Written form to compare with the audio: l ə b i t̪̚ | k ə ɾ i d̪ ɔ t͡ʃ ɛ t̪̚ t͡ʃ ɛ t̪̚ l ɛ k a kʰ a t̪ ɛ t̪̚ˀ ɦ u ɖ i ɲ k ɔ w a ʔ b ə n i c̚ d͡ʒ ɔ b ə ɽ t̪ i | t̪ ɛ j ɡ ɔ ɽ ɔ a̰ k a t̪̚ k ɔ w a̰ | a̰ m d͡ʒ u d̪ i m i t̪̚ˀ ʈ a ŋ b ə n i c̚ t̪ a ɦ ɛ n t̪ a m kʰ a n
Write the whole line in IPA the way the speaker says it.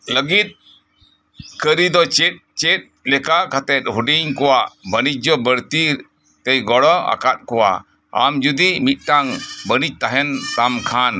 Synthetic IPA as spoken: l ə ɡ i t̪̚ | k ə ɾ i d̪ ɔ t͡ʃ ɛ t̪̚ t͡ʃ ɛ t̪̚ l ɛ k a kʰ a t̪ ɛ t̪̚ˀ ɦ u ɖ i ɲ k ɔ w a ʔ b ə n i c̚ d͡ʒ ɔ b ə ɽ t̪ i | t̪ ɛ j ɡ ɔ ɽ ɔ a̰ k a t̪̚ k ɔ w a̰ | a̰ m d͡ʒ u d̪ i m i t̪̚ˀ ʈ a ŋ b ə n i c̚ t̪ a ɦ ɛ n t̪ a m kʰ a n